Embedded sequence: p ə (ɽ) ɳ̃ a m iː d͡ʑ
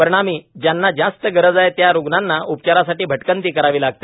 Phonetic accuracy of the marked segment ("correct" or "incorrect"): incorrect